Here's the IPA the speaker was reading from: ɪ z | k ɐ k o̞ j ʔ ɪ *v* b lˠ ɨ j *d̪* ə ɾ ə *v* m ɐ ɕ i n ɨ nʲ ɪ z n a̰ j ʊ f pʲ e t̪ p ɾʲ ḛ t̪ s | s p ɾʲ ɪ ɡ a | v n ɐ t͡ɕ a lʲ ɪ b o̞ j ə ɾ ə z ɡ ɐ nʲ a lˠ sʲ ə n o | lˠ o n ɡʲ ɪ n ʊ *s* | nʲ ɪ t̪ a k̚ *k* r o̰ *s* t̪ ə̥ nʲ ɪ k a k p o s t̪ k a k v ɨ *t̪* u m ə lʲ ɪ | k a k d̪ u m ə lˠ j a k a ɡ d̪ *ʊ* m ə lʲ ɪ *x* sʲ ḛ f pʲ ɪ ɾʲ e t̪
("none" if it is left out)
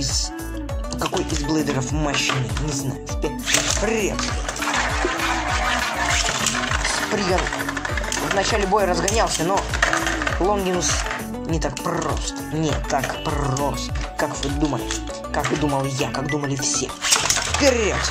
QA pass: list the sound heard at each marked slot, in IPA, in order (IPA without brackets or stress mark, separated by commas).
z, d̪, f, s, p, s, d̪, u, f